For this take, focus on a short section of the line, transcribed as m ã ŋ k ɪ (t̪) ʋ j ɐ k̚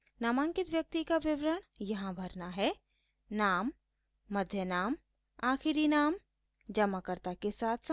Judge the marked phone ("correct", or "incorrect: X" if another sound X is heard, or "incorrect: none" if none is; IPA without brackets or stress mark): correct